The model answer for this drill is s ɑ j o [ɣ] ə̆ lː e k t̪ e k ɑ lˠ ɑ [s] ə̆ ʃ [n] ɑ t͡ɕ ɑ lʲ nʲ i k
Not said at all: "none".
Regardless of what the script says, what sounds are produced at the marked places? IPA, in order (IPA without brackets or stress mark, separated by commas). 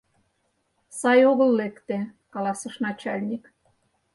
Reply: ɣ, s, n